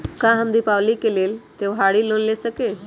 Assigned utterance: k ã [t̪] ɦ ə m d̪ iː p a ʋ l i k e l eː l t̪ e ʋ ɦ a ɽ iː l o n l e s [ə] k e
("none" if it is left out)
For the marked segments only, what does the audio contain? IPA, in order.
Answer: none, ə

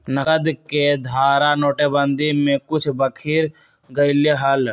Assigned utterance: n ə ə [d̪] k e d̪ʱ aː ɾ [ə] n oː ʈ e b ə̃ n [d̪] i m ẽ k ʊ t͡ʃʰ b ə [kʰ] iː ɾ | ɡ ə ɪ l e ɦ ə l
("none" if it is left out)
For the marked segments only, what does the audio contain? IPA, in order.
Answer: d̪, a, d̪, kʰ

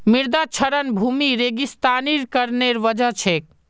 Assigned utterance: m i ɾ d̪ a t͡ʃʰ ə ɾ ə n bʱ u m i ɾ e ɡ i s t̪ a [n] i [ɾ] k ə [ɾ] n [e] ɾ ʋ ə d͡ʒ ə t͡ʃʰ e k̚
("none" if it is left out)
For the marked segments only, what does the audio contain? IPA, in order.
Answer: n, ɾ, ɾ, e

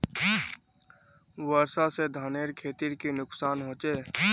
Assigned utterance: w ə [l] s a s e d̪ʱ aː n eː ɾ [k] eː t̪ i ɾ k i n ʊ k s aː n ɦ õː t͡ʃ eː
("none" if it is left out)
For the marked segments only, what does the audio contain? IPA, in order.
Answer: ɾ, kʰ

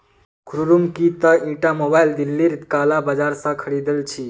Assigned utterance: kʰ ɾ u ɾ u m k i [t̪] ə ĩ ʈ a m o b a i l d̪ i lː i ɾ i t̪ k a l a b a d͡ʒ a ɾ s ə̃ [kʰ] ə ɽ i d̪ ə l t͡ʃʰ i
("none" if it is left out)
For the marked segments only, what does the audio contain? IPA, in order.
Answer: t̪, kʰ

